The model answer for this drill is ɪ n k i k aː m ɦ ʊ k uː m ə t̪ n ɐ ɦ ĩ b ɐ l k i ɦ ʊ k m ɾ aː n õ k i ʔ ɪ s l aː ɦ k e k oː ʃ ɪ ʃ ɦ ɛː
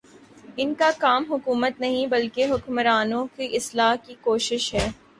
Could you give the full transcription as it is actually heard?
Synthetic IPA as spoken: ɪ n k a k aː m ɦ ʊ k uː m ə t̪ n ɐ ɦ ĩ b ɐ l k e ɦ ʊ k m ɾ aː n õ k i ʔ ɪ s l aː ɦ k i k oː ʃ ɪ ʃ ɦ ɛː